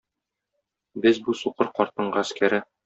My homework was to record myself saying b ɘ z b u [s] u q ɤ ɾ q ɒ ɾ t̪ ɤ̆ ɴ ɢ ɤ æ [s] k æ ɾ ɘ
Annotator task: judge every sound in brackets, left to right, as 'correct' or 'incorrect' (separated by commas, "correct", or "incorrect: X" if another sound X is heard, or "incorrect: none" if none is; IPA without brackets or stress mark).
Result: correct, correct